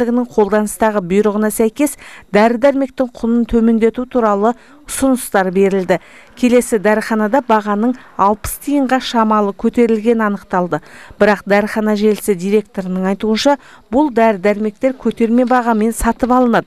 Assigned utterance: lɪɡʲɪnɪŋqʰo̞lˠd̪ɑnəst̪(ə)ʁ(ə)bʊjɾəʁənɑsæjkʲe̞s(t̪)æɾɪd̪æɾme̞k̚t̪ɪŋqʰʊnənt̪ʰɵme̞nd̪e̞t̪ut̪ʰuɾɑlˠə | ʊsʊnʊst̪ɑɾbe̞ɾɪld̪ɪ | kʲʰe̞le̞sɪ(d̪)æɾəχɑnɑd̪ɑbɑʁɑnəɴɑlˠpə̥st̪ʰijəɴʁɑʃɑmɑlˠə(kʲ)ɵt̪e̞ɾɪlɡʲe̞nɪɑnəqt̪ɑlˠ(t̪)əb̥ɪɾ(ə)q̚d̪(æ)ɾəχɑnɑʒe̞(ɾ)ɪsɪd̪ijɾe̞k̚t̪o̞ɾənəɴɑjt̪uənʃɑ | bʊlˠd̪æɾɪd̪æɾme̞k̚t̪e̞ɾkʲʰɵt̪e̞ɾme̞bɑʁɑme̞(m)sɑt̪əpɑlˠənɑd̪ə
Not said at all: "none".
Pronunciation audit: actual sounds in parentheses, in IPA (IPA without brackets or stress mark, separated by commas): ɑ, ə, d̪, d̪, kʲʰ, d̪, ɑ, æ, l, n